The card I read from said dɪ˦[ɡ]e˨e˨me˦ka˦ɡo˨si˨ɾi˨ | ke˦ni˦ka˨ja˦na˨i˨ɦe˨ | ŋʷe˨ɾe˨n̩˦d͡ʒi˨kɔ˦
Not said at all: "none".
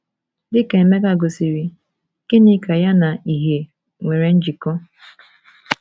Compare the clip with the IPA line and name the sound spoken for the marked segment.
k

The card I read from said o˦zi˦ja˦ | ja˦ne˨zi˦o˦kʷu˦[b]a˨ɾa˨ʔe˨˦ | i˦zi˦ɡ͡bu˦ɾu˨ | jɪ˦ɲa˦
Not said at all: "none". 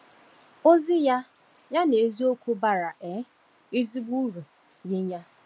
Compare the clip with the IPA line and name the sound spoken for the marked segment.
b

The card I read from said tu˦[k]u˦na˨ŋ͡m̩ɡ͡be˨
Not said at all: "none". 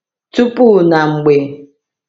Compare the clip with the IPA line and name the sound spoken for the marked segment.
p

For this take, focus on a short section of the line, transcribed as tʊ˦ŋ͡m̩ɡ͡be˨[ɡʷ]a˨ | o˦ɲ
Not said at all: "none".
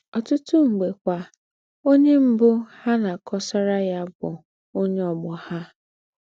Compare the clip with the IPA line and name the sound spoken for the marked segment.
kʷ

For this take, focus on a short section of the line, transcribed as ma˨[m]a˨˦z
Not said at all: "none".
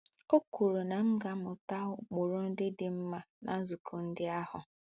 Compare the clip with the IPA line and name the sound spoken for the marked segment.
n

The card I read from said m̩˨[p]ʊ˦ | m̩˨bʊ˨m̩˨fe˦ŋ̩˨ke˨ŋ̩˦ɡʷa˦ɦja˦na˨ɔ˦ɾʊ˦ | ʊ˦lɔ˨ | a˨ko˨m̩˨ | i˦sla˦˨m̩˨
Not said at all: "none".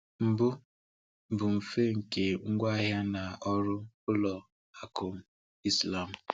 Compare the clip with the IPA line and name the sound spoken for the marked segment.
b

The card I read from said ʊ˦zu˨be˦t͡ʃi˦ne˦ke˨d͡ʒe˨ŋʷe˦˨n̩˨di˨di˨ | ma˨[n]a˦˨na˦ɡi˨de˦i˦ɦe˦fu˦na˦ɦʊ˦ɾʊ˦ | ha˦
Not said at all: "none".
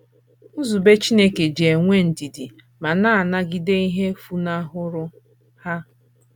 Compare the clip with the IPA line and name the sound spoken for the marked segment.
n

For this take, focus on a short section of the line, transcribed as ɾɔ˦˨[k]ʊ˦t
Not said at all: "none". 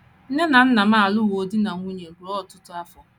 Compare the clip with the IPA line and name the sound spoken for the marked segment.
t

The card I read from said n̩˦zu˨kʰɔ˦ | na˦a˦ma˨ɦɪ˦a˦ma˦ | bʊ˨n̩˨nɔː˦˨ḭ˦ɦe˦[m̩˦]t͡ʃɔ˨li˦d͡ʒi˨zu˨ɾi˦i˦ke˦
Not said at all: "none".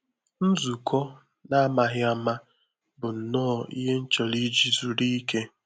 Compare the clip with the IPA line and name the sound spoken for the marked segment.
n̩˦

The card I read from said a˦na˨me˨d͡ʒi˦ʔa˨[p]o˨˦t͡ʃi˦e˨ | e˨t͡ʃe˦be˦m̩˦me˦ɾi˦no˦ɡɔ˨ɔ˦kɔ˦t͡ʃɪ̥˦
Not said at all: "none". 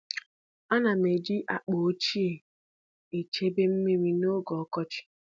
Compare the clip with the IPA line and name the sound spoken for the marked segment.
k͡p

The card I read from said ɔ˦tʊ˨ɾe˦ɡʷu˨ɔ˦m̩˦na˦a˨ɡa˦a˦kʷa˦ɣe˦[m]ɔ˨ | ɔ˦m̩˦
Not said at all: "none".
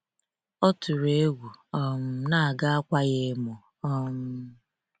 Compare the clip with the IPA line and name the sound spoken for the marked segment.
m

